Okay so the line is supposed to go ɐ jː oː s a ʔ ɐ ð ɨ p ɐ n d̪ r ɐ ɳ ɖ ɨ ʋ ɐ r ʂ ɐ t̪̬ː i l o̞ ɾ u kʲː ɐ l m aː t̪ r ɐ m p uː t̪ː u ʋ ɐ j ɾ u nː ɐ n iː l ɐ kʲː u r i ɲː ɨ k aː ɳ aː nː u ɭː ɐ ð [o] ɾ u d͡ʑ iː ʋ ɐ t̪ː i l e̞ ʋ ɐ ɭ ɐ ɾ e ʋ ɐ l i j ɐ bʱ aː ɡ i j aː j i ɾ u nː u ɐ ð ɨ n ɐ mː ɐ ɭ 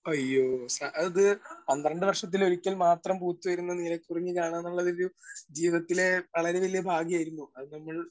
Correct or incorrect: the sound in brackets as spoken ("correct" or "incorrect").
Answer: correct